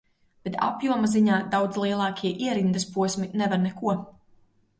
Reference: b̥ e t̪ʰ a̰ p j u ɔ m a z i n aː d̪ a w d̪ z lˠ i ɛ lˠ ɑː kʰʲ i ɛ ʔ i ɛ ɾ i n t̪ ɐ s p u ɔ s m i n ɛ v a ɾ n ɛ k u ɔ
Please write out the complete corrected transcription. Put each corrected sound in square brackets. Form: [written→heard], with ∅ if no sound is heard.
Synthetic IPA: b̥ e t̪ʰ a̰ p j u ɔ m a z i [n→ɲ] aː d̪ a w d̪ z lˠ i ɛ lˠ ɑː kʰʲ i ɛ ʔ i ɛ ɾ i n [t̪→d̪] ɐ s p u ɔ s m i n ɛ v a ɾ n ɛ k u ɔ